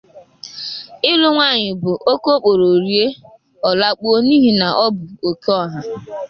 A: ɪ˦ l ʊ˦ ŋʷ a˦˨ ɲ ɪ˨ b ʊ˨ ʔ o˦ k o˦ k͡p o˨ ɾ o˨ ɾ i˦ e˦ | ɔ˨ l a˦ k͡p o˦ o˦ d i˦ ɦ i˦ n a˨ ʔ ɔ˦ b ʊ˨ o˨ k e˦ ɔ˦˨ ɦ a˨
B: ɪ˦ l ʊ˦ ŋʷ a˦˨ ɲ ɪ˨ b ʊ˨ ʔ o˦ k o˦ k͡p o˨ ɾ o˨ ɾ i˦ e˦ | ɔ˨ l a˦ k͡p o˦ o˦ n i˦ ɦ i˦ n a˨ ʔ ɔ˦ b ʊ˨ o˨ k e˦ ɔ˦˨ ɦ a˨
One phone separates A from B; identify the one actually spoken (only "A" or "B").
B